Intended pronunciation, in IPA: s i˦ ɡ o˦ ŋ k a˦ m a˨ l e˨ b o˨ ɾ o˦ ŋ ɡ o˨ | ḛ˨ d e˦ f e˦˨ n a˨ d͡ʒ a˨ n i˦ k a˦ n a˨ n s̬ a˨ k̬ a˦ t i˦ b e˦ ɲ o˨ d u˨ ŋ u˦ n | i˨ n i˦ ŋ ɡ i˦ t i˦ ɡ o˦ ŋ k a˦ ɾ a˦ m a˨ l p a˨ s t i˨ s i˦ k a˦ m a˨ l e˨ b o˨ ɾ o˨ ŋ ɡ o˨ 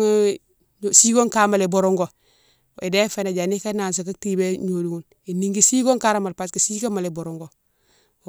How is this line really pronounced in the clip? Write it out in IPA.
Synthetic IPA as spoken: s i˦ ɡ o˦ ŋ k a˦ m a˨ l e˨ b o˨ ɾ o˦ ŋ ɡ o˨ | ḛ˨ d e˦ f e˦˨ n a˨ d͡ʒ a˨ n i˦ k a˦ n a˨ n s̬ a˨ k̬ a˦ t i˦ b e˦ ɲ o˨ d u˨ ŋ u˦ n | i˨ n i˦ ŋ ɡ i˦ s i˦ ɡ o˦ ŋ k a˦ ɾ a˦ m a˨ l p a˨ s k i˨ s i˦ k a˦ m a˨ l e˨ b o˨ ɾ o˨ ŋ ɡ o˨